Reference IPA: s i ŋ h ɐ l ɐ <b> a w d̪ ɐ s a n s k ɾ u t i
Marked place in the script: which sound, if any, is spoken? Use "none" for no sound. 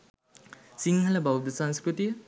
b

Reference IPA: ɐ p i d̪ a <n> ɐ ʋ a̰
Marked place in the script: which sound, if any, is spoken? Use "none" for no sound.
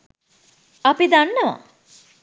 nː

